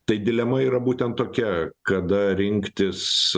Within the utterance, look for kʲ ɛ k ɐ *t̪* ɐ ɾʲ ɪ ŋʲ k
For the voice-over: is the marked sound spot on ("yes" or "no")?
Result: no